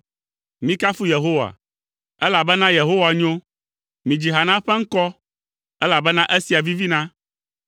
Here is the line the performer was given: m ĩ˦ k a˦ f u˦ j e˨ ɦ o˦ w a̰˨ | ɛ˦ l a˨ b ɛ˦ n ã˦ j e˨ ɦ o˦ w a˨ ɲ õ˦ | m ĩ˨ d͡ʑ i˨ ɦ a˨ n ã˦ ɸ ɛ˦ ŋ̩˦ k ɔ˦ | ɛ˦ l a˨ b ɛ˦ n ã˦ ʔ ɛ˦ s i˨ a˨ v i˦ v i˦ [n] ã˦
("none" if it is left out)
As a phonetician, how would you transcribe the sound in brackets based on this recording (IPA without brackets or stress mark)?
n